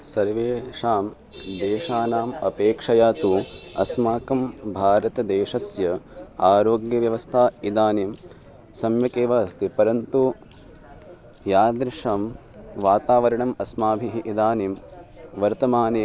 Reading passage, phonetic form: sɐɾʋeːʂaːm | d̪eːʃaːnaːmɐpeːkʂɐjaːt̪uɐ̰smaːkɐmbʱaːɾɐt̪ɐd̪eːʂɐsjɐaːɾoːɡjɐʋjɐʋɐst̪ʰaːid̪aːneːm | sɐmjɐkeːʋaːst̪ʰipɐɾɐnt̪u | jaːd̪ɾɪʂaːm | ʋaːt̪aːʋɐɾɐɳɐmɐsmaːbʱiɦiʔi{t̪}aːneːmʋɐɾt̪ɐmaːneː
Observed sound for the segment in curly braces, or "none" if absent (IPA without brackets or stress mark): d̪